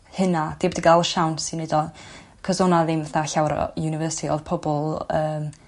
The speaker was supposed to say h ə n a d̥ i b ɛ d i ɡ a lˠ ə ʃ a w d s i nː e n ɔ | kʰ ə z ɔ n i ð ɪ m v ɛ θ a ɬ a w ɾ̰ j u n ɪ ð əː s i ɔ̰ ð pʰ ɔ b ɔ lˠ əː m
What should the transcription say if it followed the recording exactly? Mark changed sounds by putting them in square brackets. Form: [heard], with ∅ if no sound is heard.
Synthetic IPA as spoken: h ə n a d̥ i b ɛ d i ɡ a lˠ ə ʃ a w [n] s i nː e [d] ɔ | kʰ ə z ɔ n [a] ð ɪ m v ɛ θ a ɬ a w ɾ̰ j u n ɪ [v] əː s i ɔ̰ ð pʰ ɔ b ɔ lˠ əː m